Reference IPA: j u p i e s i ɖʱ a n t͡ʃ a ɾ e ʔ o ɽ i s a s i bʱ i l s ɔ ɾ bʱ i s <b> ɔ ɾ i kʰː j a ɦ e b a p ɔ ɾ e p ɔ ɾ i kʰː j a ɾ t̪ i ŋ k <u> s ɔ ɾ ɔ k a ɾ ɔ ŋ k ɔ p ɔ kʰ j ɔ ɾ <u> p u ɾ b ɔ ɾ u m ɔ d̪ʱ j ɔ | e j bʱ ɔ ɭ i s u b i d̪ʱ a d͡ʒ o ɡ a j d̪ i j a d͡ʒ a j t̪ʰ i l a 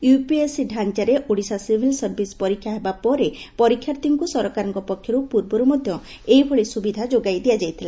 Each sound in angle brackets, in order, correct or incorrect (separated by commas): incorrect, correct, correct